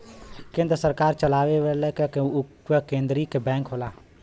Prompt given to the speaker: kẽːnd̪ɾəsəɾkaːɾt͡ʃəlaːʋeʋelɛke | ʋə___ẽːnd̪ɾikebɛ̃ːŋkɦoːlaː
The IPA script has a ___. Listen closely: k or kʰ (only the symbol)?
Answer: k